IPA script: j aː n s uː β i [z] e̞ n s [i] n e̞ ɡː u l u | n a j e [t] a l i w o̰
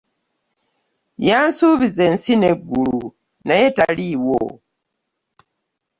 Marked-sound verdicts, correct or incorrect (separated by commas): correct, correct, correct